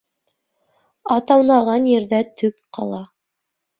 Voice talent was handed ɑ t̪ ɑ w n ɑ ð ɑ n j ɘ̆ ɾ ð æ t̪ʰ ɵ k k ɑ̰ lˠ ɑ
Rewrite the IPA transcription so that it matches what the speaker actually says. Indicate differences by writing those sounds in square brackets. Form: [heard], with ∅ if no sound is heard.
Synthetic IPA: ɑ t̪ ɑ w n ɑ [ʁ] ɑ n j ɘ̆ ɾ ð æ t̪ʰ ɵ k [q] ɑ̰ lˠ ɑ